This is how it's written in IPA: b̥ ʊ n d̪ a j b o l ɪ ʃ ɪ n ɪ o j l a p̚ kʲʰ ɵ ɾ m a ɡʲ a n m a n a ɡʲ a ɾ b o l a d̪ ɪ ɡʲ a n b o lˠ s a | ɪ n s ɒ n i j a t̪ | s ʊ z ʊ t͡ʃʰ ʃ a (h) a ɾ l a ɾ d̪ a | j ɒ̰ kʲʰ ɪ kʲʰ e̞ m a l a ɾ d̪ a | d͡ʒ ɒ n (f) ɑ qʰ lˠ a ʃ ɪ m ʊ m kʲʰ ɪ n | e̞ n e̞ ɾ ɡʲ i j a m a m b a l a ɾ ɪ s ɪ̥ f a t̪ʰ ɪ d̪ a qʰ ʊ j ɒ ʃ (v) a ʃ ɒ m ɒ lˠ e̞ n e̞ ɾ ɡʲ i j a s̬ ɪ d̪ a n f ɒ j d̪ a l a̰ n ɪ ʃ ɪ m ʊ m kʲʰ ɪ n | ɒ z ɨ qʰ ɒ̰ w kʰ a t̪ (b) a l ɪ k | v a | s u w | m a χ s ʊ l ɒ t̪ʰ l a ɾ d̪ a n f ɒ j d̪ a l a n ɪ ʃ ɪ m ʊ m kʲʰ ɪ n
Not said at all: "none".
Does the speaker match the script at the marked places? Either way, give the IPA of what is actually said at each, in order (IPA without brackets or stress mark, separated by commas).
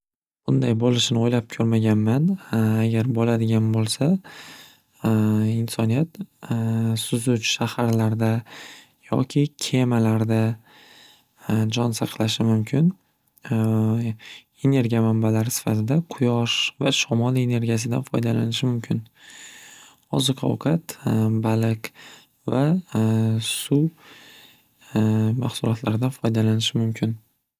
h, s, v, b